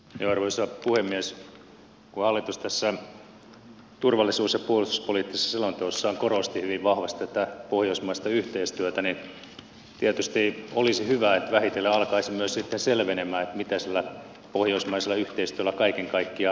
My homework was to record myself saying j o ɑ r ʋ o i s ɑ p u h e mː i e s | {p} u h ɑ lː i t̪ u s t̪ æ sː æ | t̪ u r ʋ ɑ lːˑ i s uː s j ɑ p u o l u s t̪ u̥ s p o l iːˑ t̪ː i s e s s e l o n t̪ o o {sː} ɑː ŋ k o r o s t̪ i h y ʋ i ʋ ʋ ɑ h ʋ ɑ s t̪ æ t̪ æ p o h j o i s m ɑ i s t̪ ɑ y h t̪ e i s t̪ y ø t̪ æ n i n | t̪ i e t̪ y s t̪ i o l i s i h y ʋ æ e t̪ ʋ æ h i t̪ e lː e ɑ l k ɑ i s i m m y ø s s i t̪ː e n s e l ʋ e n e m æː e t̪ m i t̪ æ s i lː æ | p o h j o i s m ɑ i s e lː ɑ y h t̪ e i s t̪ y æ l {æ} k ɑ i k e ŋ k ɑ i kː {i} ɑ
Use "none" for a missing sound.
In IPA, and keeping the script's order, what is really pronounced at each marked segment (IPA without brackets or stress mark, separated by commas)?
k, sː, æ, i